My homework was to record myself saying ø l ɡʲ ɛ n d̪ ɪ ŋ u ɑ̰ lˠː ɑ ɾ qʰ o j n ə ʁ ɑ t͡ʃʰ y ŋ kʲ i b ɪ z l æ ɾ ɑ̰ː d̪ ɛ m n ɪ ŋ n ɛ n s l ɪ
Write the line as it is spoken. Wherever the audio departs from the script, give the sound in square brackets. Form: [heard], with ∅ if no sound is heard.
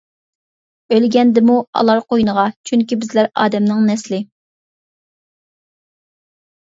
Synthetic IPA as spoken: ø l ɡʲ ɛ n d̪ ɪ [m] u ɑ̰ [lˠ] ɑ ɾ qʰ o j n ə ʁ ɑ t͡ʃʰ y ŋ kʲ i b ɪ z l æ ɾ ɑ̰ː d̪ ɛ m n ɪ ŋ n ɛ [∅] s l ɪ